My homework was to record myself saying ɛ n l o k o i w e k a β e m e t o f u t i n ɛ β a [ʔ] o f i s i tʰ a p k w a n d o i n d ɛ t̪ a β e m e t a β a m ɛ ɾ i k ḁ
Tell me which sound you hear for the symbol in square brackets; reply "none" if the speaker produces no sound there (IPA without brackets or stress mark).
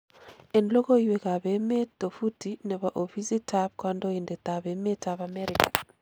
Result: ʔ